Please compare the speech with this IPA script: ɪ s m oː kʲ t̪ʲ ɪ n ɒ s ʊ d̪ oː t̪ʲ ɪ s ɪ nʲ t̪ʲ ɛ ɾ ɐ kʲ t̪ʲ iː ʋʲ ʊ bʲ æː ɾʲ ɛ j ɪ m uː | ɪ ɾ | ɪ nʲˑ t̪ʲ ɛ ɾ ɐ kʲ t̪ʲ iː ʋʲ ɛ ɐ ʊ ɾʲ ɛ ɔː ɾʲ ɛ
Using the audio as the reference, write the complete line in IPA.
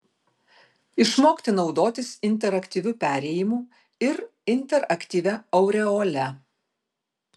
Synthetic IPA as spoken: ɪ ʃ m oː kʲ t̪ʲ ɪ n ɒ ʊ d̪ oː t̪ʲ ɪ s ɪ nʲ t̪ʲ ɛ ɾ ɐ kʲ t̪ʲ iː ʋʲ ʊ pʲ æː ɾʲ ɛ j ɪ m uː | ɪ ɾ | ɪ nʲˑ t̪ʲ ɛ ɾ ɐ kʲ t̪ʲ iː ʋʲ ɛ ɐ ʊ ɾʲ ɛ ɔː lʲ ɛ